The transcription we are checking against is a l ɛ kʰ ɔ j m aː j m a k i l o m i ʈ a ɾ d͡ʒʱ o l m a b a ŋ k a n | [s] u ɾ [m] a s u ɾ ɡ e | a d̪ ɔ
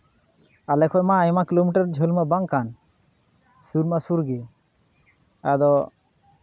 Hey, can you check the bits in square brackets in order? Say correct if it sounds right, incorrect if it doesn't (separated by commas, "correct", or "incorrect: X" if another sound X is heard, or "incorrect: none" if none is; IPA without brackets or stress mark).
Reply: correct, correct